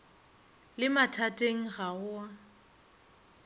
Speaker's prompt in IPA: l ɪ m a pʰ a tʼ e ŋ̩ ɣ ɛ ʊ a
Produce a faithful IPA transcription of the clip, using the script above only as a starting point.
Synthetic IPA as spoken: l ɪ m a tʰ a tʼ e ŋ̩ ɣ a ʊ a